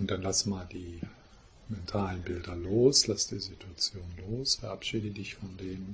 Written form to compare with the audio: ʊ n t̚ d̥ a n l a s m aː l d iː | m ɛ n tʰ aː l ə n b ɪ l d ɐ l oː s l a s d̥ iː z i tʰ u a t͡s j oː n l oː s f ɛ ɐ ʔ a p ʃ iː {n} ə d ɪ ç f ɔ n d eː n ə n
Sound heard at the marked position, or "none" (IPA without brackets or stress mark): d